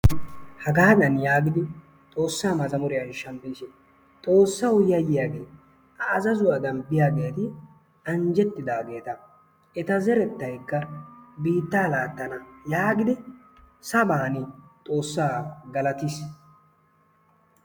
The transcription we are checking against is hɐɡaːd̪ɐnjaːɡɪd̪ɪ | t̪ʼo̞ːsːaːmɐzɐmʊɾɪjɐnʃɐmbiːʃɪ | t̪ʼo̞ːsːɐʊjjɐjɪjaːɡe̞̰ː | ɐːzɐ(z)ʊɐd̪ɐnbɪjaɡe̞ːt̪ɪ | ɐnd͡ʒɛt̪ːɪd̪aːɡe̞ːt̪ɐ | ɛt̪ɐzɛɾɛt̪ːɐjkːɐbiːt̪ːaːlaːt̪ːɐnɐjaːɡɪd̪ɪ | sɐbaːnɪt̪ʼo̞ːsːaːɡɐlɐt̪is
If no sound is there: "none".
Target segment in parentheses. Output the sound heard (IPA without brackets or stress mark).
z